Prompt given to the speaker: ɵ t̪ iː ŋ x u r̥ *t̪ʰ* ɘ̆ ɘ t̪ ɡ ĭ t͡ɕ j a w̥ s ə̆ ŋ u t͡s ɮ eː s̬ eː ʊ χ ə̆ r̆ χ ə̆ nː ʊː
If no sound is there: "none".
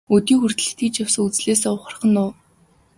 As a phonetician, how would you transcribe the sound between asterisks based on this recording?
t̪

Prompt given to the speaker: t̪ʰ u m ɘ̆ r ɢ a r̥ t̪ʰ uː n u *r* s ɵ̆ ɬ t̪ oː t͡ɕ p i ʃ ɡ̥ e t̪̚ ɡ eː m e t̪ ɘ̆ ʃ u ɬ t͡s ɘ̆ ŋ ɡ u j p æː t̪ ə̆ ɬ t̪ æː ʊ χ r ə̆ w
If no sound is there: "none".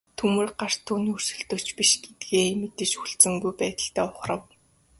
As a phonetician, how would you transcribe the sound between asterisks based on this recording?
r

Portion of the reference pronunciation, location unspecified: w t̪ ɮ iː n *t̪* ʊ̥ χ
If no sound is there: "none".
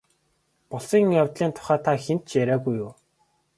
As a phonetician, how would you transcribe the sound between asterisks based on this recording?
t̪ʰ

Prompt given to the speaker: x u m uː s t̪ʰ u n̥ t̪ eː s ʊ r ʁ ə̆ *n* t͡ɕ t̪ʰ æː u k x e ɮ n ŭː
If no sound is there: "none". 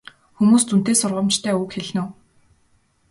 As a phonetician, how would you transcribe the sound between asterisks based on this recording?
m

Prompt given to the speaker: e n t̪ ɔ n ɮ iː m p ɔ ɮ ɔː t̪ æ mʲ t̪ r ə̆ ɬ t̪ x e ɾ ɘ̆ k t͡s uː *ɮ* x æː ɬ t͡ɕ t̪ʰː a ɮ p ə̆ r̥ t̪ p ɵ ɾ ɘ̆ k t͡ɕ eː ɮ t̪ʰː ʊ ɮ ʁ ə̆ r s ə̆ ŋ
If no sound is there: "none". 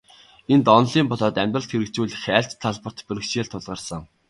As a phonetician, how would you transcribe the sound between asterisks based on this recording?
ɮ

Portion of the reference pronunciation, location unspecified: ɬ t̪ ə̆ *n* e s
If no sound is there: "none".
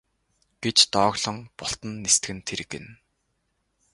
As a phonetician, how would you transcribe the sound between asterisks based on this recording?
nː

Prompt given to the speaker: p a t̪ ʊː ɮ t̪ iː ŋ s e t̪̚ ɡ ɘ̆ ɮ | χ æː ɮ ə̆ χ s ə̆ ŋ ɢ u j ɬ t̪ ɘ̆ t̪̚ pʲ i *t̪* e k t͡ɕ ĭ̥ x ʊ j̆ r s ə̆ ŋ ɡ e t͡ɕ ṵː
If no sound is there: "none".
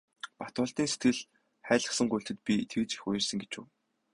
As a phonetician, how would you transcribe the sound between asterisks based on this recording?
t̪ʰ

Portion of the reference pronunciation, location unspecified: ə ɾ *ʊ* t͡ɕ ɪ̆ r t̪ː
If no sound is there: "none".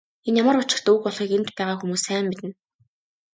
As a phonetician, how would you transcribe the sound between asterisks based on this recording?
ʊ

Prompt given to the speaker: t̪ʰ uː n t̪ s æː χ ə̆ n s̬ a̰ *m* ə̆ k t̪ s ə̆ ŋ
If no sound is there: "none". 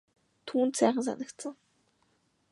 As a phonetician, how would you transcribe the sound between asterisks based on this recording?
n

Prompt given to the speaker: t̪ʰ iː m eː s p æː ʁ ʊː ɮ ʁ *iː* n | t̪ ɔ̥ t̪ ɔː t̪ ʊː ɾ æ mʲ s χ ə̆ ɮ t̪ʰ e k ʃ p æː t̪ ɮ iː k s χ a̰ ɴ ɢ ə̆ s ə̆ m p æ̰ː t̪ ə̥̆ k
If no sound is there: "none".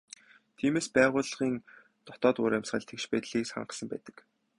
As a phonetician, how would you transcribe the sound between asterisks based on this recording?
iː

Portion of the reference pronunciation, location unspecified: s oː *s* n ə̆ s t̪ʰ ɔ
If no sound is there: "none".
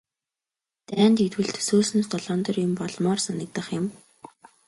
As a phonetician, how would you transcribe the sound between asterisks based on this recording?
s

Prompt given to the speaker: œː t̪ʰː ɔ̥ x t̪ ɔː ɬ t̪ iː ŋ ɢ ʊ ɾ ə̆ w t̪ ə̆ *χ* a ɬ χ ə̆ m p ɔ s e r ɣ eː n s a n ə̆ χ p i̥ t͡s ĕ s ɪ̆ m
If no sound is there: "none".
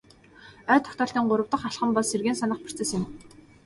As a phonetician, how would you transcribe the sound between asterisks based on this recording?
χ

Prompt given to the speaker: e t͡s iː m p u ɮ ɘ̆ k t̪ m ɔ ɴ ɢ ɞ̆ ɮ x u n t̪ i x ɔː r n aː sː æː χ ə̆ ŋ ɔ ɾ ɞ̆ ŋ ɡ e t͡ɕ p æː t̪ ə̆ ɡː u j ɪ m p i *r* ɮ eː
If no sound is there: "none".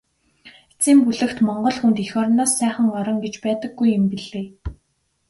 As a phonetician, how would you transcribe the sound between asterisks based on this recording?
none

